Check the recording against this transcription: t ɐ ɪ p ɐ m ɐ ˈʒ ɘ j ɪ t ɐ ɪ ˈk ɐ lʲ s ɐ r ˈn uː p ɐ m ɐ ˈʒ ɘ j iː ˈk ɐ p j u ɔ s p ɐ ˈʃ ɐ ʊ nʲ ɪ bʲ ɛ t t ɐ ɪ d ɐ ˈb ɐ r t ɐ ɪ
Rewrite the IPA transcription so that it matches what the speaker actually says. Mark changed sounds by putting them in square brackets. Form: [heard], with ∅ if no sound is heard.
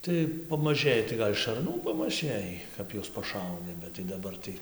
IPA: t ɐ ɪ p ɐ m ɐ ˈʒ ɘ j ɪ t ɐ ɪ [ˈɡ] ɐ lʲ [ʃ] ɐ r ˈn uː p ɐ m ɐ ˈʒ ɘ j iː ˈk ɐ p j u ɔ s p ɐ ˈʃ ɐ ʊ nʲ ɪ bʲ ɛ t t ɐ ɪ d ɐ ˈb ɐ r t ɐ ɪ